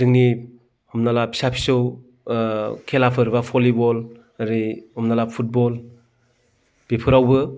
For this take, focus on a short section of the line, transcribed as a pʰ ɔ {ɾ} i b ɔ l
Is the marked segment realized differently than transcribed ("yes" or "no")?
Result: yes